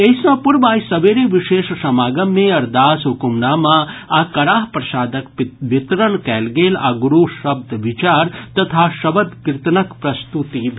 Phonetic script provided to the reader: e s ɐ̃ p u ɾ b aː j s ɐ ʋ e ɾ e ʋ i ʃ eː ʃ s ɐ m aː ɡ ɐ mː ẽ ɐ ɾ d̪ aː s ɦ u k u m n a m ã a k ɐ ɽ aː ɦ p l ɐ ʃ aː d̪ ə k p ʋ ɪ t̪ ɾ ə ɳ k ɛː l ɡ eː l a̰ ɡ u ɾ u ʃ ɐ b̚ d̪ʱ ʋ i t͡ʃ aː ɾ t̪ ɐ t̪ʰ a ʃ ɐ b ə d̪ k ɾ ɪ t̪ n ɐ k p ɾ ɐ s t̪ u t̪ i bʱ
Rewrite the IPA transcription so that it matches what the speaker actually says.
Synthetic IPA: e s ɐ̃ p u ɾ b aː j s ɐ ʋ e ɾ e ʋ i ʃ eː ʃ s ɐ m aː ɡ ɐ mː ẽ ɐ ɾ d̪ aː s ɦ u k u m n a m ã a k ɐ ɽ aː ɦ p ɾ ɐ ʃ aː d̪ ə k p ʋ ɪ t̪ ɾ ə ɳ k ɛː l ɡ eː l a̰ ɡ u ɾ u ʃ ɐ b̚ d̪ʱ ʋ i t͡ʃ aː ɾ t̪ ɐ t̪ʰ a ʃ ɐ b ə d̪ k ɾ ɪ t̪ n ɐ k p ɾ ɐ s t̪ u t̪ i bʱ